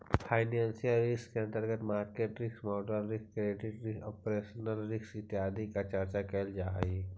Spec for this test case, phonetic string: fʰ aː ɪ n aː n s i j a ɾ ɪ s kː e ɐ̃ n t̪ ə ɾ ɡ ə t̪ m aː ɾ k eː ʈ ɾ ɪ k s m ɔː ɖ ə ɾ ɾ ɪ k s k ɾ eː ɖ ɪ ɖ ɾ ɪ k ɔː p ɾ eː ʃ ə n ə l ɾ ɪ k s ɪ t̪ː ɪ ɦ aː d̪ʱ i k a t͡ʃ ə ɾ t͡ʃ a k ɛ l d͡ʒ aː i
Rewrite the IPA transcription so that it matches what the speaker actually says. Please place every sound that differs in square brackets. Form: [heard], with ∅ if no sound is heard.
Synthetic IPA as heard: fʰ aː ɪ n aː n s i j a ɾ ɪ s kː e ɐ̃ n t̪ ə ɾ ɡ ə t̪ m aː ɾ k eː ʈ ɾ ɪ k s m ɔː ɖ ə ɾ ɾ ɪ k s k ɾ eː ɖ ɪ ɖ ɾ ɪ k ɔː p ɾ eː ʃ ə n ə l ɾ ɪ k s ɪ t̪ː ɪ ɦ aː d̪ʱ i k a t͡ʃ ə ɾ t͡ʃ a k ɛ l d͡ʒ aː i